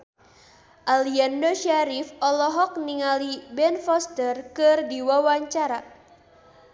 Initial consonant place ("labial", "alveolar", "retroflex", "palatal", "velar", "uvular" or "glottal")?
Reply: glottal